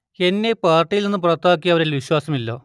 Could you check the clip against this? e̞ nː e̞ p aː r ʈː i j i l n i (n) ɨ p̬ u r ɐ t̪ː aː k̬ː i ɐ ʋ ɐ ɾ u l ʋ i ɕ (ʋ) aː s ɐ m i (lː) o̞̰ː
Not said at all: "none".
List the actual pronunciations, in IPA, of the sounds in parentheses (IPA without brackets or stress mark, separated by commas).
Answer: nː, w, lː